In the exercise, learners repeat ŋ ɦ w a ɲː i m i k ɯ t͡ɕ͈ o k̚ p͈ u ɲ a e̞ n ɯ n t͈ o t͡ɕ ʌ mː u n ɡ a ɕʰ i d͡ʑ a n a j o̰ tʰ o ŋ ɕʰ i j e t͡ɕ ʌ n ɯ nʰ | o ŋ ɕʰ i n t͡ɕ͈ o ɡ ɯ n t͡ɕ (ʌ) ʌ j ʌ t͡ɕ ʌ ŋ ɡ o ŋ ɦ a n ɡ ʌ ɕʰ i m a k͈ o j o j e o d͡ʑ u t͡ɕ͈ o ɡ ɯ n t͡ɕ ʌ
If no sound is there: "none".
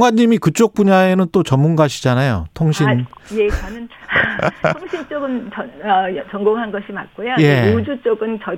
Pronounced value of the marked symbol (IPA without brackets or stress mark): ʌ